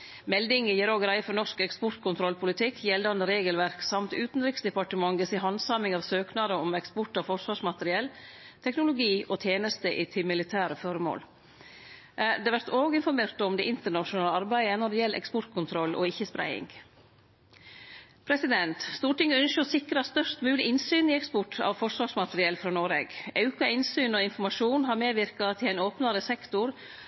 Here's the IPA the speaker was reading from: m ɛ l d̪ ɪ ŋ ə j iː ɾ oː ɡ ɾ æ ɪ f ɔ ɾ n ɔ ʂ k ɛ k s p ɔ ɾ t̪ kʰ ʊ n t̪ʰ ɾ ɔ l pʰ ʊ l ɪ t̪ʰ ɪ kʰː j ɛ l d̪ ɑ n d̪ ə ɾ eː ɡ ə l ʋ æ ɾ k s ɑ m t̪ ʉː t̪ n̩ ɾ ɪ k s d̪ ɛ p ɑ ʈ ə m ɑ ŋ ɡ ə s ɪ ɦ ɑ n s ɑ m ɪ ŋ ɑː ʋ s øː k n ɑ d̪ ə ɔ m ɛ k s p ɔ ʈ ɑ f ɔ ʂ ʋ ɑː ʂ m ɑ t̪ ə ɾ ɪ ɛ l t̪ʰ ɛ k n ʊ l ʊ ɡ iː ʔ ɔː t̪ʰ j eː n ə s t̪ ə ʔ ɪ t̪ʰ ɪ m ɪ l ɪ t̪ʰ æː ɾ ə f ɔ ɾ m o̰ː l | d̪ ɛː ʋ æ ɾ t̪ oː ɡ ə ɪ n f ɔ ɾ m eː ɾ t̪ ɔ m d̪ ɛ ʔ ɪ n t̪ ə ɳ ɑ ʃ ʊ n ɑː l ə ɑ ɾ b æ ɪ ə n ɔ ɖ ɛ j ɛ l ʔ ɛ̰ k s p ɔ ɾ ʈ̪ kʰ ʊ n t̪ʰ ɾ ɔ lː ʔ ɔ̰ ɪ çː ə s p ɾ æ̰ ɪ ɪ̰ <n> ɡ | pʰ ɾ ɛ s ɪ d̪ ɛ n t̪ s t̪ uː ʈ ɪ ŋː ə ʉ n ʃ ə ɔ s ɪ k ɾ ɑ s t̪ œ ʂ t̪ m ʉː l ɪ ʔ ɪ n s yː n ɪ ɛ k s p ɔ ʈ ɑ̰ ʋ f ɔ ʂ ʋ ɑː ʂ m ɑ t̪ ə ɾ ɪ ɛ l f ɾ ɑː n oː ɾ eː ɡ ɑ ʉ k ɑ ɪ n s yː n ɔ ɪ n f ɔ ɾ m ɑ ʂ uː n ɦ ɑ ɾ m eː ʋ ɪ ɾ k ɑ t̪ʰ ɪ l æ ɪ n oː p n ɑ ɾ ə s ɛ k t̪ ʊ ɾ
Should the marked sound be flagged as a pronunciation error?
yes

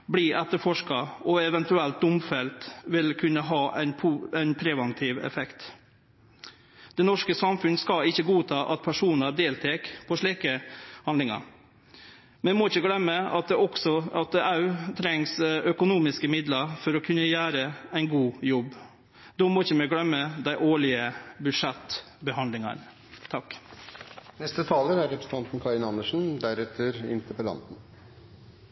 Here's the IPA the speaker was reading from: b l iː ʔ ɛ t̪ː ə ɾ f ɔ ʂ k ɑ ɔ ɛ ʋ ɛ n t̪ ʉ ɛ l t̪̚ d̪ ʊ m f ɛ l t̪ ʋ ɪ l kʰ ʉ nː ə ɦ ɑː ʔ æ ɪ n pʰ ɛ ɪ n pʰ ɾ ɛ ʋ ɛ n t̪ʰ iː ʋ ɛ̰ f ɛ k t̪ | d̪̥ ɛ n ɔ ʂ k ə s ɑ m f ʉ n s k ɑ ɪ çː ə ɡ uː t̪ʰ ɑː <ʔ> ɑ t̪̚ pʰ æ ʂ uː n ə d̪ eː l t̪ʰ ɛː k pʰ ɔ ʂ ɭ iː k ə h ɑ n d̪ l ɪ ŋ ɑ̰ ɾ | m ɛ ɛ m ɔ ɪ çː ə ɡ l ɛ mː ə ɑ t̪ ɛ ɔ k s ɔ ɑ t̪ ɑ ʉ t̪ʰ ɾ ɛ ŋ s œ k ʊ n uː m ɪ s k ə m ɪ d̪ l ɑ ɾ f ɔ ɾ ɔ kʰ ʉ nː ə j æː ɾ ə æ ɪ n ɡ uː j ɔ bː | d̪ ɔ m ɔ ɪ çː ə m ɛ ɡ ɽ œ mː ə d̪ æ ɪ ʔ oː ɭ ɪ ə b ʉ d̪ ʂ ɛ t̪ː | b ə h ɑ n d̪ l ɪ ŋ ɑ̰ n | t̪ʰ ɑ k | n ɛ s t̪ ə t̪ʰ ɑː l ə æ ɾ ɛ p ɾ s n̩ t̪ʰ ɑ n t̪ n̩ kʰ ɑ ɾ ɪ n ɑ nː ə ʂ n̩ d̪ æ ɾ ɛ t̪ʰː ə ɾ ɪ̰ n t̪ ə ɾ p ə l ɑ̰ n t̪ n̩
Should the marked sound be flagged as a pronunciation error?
no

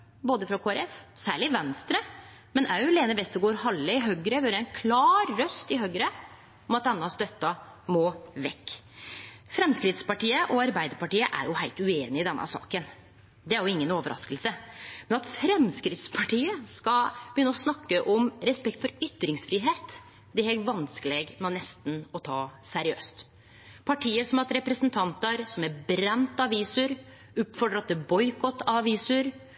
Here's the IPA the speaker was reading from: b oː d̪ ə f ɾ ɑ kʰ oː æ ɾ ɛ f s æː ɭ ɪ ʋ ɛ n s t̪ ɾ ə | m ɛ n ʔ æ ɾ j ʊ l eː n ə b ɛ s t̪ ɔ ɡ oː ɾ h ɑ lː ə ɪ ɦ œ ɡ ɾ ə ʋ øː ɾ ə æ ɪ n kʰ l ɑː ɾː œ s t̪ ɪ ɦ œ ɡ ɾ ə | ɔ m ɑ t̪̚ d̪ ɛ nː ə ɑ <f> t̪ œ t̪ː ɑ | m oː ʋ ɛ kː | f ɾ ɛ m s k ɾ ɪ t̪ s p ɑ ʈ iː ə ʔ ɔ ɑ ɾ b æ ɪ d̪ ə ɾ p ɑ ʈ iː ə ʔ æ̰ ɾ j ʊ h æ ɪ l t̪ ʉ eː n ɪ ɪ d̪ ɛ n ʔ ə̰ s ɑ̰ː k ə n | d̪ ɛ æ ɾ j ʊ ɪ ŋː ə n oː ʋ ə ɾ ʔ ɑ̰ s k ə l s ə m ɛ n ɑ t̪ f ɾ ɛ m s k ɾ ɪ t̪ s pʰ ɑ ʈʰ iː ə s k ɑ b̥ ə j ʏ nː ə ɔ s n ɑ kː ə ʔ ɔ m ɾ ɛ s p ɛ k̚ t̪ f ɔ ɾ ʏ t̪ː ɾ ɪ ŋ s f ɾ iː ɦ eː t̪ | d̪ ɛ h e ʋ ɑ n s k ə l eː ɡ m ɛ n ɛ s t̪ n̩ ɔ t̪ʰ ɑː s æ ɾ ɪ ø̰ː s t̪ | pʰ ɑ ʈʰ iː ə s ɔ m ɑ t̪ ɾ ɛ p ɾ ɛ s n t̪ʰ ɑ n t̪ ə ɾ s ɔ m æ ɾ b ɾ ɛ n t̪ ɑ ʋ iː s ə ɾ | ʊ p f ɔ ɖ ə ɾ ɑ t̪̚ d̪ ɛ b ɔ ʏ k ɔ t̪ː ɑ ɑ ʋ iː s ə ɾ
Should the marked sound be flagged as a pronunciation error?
yes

